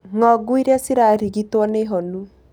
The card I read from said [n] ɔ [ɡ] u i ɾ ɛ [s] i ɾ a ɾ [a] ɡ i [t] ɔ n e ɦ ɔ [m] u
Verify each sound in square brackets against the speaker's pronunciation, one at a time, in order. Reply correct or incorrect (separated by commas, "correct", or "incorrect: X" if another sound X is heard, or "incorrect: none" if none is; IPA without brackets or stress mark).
incorrect: ŋ, correct, correct, incorrect: i, correct, incorrect: n